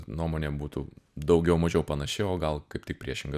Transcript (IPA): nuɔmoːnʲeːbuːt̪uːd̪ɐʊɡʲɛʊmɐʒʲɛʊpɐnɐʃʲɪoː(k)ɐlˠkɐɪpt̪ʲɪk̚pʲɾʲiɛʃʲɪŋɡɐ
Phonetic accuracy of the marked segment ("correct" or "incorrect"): incorrect